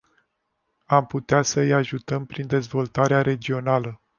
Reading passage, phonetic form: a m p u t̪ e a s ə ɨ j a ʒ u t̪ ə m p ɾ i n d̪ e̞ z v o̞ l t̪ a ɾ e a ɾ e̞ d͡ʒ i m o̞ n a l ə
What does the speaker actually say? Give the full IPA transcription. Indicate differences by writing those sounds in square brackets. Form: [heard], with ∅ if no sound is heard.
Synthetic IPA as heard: a m p u t̪ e a s ə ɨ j a ʒ u t̪ ə m p ɾ i n d̪ e̞ z v o̞ l t̪ a ɾ e a ɾ e̞ d͡ʒ i [∅] o̞ n a l ə